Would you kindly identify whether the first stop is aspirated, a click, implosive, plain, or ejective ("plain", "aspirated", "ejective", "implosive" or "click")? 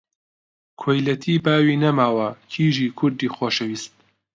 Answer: aspirated